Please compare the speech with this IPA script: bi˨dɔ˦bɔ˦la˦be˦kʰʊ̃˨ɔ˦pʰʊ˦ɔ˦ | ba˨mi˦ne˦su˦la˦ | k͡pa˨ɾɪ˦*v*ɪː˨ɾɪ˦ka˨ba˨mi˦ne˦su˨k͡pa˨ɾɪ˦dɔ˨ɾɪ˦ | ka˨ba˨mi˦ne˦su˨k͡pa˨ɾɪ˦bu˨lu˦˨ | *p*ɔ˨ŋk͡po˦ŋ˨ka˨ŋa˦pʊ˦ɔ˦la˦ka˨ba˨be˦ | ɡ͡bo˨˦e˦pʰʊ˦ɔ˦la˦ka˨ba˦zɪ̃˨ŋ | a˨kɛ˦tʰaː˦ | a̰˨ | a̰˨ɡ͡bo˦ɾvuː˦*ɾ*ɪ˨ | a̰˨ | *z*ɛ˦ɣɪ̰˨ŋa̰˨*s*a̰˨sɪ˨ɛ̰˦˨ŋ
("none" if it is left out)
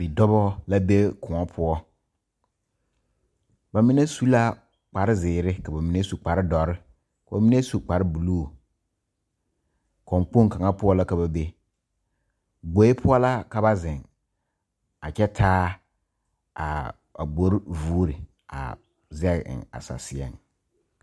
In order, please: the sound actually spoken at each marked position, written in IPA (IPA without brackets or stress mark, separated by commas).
z, k, ɾ, z, s